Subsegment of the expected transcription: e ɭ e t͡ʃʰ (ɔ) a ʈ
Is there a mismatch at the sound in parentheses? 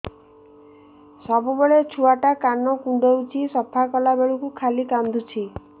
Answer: yes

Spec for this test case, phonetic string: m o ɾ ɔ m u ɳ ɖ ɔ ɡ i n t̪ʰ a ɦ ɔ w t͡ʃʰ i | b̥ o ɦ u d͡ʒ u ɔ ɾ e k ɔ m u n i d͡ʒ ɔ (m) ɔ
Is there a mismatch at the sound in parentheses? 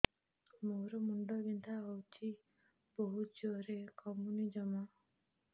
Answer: no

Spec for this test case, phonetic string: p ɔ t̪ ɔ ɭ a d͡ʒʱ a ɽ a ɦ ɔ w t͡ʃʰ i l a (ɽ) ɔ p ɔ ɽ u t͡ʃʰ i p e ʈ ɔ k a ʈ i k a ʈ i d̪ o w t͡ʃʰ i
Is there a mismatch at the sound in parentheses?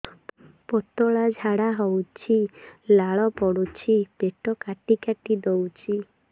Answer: yes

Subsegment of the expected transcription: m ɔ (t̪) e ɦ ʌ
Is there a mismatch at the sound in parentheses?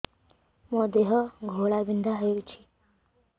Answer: yes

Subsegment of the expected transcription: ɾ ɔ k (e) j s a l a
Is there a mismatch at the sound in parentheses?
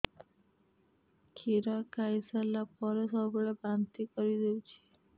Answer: yes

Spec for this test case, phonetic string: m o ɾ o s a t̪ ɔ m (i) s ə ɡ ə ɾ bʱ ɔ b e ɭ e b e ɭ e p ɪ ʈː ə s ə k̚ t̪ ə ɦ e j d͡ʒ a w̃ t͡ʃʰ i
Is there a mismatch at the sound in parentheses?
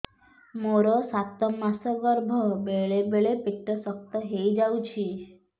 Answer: yes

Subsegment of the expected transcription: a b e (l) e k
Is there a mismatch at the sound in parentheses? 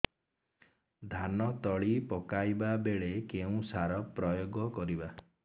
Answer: yes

